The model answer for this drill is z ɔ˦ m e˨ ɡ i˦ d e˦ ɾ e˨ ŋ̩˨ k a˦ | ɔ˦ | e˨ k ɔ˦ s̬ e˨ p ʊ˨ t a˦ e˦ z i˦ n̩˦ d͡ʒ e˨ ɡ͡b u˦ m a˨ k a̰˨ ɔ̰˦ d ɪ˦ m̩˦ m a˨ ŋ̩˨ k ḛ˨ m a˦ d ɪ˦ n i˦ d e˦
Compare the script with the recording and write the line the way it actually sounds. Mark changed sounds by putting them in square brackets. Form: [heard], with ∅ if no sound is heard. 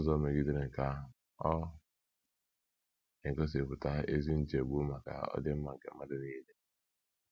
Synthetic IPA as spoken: z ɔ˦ m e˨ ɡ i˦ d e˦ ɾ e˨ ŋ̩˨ k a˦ | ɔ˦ | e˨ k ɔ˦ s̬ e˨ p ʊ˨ t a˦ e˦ z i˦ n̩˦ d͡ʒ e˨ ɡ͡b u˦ m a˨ k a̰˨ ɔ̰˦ d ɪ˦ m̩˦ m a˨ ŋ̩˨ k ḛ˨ m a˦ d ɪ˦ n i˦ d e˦